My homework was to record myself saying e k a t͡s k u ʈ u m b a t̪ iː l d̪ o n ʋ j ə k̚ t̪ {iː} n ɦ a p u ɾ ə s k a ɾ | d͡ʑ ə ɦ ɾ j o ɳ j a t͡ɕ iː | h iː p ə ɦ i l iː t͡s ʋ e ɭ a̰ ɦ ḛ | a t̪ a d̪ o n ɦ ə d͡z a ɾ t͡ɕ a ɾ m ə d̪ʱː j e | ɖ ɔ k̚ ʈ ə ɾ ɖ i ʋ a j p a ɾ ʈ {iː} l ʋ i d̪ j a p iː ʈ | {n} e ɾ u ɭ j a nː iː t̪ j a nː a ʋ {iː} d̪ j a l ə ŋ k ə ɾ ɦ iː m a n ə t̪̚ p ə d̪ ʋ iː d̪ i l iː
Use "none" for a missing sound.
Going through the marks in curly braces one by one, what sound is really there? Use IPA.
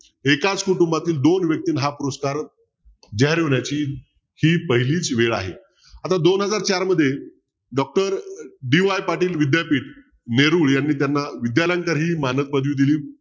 iː, iː, n, i

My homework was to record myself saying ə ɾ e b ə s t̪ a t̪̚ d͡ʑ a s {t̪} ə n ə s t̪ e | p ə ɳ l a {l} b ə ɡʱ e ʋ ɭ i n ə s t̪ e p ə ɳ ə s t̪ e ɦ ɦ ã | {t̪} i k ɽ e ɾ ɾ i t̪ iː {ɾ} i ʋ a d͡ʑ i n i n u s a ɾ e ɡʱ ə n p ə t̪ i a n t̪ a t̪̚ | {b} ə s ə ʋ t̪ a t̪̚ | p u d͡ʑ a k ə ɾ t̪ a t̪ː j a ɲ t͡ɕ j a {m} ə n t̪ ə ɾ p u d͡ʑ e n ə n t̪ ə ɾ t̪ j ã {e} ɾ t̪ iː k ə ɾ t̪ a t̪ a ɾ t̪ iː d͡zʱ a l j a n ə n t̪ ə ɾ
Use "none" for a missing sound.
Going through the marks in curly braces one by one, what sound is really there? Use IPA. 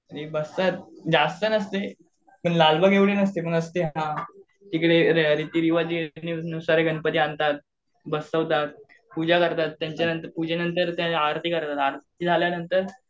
t̪, l, t̪, ɾ, b, n, a

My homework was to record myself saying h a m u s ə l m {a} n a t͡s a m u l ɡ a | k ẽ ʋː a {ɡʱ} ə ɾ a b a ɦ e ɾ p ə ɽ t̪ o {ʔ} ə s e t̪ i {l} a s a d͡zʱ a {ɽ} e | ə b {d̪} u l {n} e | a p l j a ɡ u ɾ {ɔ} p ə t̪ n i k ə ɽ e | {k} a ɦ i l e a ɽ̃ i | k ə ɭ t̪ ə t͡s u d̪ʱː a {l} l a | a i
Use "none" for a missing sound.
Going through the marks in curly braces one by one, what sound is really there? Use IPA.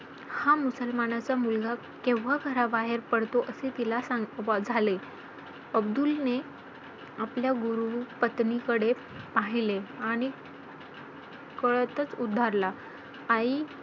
a, ɡʱ, ʔ, l, l, d̪, n, u, p, ɾ

